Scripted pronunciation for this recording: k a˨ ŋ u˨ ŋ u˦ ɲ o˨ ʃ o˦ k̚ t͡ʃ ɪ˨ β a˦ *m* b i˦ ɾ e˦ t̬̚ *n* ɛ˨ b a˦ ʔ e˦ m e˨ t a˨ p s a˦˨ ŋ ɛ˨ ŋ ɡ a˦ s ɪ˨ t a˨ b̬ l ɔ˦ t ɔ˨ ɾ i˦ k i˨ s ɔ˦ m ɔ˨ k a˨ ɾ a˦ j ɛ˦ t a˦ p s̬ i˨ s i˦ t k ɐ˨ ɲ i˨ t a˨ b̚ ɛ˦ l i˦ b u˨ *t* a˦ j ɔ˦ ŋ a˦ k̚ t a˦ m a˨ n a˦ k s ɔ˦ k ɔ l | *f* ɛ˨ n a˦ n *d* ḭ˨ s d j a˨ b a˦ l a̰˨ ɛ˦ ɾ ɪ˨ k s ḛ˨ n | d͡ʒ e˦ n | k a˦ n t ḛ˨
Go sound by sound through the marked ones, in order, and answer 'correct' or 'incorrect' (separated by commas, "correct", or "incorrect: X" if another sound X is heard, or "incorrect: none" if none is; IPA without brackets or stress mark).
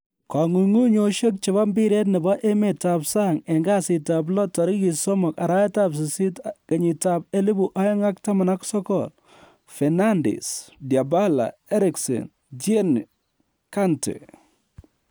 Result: correct, correct, incorrect: ʔ, correct, correct